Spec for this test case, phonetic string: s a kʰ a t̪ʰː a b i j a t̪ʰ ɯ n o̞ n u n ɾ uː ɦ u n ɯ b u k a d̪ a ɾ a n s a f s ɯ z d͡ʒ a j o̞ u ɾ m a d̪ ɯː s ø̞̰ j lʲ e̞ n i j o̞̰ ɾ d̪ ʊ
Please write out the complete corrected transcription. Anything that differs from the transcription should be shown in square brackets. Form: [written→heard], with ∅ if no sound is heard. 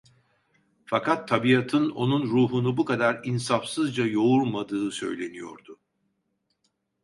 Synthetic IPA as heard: [s→f] a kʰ a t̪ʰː a b i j a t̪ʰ ɯ n o̞ n u n ɾ uː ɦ u n [ɯ→u] b u k a d̪ a ɾ [a→i] n s a f s ɯ z d͡ʒ a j o̞ u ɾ m a d̪ ɯː s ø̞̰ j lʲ e̞ n i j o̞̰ ɾ d̪ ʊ